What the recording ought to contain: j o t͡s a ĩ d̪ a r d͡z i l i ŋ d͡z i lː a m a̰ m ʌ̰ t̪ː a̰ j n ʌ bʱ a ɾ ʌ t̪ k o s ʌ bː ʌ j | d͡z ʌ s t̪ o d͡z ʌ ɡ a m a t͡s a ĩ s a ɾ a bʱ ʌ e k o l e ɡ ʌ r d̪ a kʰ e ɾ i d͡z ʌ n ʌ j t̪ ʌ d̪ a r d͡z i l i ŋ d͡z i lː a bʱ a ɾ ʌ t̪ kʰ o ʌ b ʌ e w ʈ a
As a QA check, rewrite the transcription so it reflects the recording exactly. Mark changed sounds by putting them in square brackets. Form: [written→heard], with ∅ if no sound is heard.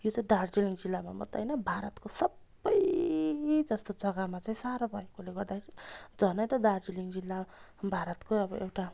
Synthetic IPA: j o t͡s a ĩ d̪ a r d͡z i l i ŋ d͡z i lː a m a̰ m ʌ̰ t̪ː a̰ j n ʌ bʱ a ɾ ʌ t̪ k o s ʌ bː ʌ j | d͡z ʌ s t̪ o d͡z ʌ ɡ a m a t͡s a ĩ s a ɾ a bʱ ʌ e k o l e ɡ ʌ r d̪ a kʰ e ɾ i d͡z ʌ n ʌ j t̪ ʌ d̪ a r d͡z i l i ŋ d͡z i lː a bʱ a ɾ ʌ t̪ [kʰ→k] o ʌ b ʌ e w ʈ a